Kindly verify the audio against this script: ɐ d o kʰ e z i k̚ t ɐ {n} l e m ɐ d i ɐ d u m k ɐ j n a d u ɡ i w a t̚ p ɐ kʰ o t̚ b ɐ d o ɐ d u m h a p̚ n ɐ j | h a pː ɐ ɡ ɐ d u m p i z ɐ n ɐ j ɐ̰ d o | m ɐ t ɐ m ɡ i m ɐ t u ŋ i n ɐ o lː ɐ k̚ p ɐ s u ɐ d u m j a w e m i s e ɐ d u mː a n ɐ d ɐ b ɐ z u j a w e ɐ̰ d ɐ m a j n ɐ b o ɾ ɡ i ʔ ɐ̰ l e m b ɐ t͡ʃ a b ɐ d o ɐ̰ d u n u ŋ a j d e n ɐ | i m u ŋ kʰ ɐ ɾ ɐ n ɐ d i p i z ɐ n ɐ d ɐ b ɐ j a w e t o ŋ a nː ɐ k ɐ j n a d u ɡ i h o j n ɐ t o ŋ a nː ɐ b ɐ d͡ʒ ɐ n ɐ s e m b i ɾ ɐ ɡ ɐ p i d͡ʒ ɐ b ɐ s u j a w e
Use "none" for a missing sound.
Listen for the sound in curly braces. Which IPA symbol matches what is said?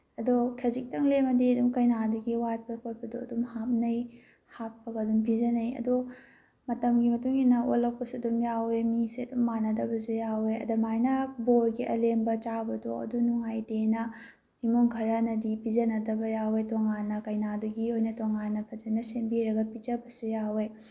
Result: ŋ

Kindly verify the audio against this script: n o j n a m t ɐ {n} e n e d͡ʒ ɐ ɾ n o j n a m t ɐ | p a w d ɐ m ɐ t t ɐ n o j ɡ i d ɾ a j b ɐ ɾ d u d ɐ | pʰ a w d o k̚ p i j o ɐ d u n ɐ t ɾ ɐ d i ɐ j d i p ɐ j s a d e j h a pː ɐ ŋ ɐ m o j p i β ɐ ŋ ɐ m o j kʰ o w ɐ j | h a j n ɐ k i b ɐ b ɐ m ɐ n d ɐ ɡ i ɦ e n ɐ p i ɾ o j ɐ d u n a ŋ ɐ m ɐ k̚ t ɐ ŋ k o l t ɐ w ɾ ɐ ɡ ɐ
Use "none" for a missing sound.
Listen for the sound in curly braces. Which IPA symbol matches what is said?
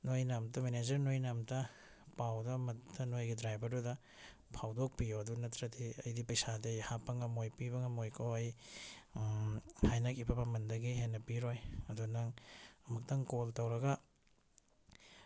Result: m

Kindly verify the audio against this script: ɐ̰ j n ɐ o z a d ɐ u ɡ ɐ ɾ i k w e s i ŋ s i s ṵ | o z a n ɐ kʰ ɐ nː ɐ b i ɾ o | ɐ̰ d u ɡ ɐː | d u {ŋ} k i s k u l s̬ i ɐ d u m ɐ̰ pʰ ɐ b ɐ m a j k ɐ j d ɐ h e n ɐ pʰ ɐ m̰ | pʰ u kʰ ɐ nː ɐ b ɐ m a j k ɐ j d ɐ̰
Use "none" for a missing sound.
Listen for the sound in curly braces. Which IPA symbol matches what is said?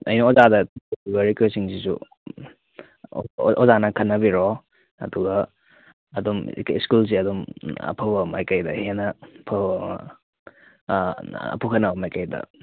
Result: m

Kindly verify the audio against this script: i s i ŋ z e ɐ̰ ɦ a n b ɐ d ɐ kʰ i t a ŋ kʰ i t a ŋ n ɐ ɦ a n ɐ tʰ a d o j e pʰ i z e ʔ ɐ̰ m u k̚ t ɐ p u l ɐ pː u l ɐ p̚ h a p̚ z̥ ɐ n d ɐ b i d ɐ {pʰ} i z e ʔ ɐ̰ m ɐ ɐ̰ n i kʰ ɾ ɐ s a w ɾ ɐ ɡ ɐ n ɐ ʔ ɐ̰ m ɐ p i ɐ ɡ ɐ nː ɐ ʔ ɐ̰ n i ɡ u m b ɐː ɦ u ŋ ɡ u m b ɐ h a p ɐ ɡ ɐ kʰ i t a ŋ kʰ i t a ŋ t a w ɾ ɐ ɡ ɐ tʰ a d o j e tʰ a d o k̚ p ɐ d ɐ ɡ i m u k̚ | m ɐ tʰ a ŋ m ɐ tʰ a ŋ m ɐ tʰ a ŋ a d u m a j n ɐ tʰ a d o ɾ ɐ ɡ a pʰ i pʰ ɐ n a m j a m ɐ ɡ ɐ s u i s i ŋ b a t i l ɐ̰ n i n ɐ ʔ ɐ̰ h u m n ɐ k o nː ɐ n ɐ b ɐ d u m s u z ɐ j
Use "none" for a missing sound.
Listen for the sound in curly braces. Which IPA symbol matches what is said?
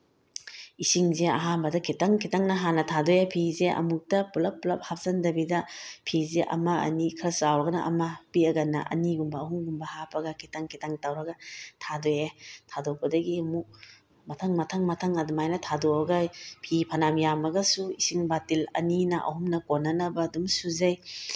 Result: pʰ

